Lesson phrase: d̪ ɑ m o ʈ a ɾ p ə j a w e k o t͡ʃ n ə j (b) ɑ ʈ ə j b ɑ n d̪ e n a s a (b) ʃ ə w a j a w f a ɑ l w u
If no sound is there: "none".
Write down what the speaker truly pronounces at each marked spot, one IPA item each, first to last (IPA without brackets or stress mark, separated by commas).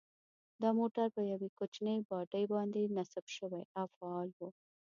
b, b